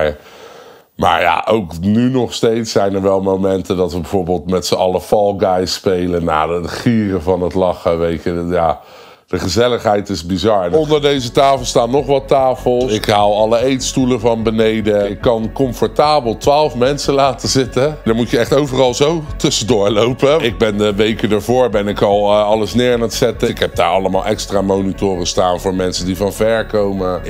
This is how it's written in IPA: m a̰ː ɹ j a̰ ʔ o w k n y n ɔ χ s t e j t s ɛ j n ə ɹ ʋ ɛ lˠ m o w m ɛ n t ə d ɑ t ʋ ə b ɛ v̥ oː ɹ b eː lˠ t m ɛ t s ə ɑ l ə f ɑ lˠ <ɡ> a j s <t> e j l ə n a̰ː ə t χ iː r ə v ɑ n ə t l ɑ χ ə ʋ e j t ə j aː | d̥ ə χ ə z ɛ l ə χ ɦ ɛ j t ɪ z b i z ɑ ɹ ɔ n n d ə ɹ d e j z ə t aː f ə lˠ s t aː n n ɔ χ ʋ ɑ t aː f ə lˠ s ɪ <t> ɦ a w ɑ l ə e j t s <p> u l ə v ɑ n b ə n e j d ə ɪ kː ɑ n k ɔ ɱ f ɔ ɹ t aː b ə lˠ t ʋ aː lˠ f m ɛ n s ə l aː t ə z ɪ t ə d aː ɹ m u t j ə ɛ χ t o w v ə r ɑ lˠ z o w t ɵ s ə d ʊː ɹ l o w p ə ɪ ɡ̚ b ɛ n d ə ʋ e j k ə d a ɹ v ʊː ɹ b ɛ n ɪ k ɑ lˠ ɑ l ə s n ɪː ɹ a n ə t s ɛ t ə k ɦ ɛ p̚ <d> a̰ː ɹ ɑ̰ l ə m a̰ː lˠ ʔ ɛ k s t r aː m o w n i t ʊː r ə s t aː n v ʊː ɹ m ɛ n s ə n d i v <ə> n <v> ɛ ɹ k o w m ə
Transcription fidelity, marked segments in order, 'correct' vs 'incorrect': correct, incorrect, incorrect, incorrect, correct, incorrect, correct

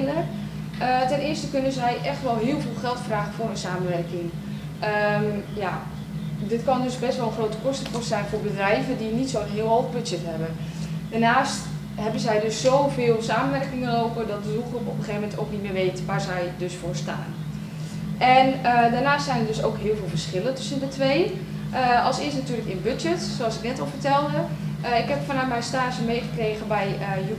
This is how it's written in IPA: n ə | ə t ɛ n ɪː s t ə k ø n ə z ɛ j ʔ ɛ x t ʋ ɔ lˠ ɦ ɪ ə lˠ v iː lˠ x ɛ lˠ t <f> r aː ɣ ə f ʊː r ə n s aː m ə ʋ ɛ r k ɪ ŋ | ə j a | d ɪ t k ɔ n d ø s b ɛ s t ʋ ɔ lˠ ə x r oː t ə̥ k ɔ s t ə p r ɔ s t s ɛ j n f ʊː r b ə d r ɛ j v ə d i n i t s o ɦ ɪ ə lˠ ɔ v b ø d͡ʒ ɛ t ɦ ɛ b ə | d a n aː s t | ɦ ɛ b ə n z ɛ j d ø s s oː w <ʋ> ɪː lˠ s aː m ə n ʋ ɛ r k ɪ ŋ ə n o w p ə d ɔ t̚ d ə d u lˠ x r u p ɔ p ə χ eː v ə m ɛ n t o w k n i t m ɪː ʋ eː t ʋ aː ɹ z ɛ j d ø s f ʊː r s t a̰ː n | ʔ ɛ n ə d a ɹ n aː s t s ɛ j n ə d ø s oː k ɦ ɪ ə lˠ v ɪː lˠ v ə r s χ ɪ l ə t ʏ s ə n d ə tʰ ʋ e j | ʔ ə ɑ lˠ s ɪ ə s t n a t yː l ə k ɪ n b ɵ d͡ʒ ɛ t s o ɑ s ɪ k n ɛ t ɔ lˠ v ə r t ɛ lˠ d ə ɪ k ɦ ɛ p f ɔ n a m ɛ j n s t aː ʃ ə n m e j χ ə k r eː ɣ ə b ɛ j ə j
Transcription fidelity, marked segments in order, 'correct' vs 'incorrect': correct, incorrect

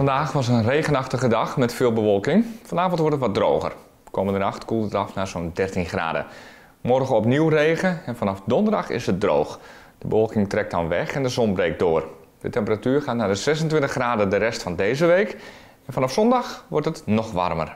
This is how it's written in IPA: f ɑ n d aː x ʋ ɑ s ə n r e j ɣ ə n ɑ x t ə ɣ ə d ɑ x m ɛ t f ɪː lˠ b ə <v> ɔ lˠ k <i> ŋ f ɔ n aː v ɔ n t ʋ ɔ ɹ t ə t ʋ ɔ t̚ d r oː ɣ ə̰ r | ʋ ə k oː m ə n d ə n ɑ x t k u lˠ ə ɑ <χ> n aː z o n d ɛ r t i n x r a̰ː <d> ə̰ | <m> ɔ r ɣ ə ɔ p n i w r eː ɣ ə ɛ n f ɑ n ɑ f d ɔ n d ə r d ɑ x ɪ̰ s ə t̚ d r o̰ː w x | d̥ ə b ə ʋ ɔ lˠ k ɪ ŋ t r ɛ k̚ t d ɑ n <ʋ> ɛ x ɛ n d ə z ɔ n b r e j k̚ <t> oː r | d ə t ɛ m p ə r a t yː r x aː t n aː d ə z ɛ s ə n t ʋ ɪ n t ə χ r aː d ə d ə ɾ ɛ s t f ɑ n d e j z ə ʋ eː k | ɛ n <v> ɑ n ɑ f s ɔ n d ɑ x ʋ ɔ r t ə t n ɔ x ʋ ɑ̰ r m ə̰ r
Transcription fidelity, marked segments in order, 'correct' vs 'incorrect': incorrect, incorrect, incorrect, correct, correct, correct, incorrect, incorrect

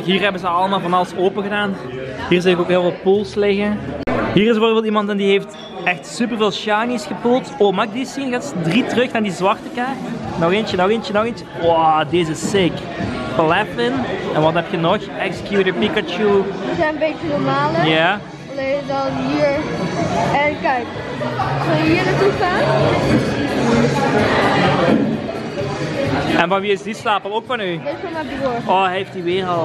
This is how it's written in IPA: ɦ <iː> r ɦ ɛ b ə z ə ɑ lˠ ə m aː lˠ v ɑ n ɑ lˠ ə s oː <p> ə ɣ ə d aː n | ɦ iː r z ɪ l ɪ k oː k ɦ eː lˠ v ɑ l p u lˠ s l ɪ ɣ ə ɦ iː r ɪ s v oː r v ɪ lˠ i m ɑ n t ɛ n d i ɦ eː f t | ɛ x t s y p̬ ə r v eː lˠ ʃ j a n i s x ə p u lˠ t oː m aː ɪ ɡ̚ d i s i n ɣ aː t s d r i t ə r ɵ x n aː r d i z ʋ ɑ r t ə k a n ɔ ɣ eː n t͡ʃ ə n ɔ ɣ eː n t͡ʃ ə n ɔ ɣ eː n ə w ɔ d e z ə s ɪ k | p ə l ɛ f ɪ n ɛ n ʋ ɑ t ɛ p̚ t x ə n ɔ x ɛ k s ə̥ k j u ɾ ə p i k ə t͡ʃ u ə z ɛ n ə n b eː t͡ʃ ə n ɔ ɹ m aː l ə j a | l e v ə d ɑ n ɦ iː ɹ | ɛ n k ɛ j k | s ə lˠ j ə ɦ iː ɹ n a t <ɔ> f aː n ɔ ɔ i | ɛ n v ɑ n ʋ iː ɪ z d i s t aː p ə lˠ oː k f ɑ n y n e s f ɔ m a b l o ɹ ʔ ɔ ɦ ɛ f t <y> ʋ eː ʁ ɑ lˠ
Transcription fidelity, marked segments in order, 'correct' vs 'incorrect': correct, correct, incorrect, incorrect

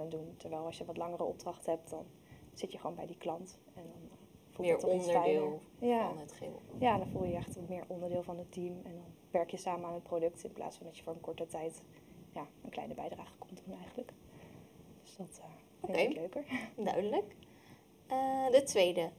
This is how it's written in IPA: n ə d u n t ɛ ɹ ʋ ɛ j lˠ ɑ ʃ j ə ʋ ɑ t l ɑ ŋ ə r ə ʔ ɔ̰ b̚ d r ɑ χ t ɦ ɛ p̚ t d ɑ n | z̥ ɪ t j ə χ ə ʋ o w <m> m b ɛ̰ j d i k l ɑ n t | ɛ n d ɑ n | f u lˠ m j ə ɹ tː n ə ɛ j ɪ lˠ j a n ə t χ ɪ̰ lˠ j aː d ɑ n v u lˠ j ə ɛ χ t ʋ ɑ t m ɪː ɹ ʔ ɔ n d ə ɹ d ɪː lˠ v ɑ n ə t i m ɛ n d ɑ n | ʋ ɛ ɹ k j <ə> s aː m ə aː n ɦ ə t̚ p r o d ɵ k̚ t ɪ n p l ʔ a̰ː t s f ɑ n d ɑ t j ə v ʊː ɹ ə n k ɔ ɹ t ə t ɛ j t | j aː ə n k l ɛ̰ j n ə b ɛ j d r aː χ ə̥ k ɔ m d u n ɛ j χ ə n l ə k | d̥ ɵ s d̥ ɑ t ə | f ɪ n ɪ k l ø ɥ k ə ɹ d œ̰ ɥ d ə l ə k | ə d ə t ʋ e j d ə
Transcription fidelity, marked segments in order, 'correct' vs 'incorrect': incorrect, correct

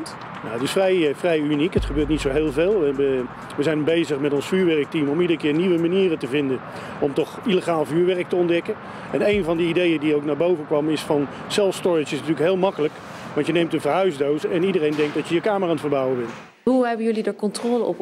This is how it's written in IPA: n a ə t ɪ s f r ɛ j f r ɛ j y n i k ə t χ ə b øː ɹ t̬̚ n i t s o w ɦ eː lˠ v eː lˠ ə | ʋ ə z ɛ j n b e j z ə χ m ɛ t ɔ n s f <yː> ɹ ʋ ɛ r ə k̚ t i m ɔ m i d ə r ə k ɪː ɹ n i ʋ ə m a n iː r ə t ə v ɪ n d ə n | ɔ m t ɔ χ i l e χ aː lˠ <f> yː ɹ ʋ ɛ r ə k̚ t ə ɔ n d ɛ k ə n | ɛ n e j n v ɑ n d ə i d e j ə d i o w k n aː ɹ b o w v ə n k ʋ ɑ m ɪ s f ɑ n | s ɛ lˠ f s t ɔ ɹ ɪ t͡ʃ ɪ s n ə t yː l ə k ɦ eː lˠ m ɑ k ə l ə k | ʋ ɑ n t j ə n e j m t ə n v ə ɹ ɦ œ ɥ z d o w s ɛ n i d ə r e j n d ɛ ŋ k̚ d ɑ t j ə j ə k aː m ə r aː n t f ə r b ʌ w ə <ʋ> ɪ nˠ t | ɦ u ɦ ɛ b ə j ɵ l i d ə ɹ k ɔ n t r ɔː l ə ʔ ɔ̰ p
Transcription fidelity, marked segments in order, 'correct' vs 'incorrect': correct, incorrect, correct

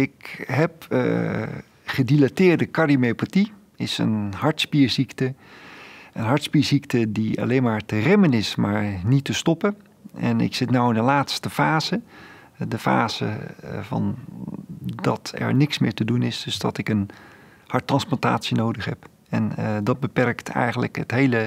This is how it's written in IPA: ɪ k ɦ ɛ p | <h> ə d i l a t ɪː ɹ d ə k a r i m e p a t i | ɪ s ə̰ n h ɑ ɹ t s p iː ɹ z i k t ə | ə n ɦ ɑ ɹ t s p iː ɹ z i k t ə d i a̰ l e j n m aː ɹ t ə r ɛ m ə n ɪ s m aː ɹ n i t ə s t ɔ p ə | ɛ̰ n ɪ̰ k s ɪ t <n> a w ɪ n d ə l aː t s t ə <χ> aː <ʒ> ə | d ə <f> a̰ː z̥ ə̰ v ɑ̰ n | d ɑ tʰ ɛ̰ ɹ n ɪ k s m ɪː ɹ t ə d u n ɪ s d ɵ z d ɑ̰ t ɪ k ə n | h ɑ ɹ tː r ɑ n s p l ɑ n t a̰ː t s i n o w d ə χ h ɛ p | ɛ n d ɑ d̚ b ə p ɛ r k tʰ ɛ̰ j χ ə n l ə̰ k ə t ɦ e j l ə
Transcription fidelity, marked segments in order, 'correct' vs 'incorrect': incorrect, correct, incorrect, incorrect, correct

